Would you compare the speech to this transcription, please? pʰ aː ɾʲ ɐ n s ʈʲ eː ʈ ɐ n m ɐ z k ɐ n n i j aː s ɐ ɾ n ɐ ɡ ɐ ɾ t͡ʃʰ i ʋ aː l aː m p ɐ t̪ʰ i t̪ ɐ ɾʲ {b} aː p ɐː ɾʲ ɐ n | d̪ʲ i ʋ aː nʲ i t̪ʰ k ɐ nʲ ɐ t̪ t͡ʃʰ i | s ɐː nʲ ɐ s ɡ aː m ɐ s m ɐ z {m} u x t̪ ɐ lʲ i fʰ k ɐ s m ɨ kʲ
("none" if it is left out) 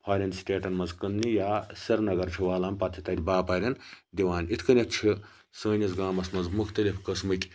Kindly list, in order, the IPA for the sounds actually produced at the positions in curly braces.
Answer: b, m

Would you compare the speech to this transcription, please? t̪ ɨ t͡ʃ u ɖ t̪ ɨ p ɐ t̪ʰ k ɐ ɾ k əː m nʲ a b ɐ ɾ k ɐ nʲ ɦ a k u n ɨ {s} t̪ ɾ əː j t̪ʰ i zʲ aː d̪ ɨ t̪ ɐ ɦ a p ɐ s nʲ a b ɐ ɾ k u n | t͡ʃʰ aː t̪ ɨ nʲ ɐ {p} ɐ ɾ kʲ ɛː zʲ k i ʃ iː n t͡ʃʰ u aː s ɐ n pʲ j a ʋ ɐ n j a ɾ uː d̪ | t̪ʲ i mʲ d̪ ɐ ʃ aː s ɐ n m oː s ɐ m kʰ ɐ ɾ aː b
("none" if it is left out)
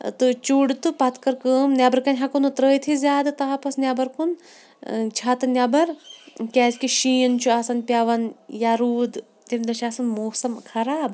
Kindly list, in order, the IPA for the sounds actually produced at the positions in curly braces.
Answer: none, b

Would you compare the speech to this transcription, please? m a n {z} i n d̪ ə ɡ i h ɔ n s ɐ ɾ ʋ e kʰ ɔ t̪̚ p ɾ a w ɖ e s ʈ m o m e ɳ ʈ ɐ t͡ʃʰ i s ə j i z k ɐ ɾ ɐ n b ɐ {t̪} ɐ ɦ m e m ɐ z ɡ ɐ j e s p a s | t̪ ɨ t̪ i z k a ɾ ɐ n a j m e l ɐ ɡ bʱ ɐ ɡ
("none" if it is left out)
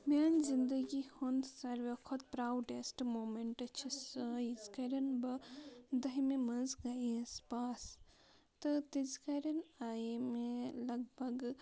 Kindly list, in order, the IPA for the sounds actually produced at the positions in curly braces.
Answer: z, d̪

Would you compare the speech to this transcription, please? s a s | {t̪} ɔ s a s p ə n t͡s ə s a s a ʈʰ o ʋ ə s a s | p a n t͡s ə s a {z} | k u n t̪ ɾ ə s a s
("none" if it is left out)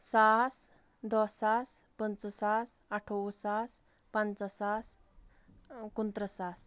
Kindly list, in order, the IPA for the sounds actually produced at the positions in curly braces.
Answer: d̪, s

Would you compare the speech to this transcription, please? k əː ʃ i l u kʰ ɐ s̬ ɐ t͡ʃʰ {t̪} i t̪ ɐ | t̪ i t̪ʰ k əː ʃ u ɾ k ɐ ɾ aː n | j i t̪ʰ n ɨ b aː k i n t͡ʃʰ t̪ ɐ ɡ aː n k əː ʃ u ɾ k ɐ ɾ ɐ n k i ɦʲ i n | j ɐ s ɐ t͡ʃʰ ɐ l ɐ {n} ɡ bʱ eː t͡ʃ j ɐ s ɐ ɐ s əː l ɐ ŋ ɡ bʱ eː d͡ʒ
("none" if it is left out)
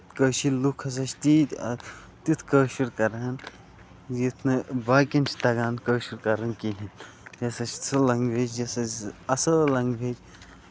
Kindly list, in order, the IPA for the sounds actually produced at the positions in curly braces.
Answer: t̪, ŋ

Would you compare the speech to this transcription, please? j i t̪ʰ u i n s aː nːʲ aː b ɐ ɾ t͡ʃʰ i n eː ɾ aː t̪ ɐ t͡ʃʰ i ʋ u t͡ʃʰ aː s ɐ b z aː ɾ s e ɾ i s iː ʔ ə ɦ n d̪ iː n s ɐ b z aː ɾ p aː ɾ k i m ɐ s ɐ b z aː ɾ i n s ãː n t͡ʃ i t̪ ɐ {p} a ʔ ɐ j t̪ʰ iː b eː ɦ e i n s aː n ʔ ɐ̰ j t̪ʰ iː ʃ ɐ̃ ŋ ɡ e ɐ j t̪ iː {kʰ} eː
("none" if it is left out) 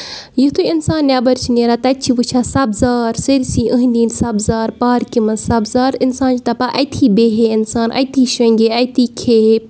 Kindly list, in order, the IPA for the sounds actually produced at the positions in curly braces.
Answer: p, kʰ

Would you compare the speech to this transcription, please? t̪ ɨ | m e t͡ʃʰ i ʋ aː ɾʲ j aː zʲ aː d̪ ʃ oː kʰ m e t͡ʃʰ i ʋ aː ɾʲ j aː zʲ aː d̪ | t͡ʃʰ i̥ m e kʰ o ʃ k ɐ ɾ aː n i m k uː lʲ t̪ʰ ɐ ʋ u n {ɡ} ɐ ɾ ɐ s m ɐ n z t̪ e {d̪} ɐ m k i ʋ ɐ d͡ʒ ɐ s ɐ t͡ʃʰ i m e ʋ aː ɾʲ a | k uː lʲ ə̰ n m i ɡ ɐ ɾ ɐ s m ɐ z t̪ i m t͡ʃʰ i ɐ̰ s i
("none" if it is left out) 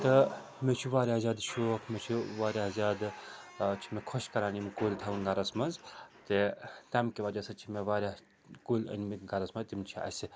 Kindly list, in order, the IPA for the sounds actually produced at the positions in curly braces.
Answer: ɡ, t̪

